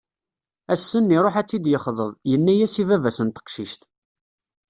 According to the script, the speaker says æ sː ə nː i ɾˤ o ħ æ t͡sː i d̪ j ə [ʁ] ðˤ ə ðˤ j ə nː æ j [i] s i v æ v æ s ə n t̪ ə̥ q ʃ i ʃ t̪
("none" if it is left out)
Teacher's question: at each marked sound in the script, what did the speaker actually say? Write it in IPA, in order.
χ, æ

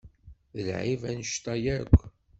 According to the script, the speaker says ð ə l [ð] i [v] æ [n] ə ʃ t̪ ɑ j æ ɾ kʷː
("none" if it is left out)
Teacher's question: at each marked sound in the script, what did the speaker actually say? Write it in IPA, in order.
ʕ, v, n

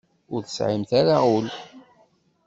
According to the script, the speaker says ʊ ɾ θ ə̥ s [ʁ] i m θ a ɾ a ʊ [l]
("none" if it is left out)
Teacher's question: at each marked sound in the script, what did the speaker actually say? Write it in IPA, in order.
ʕ, l

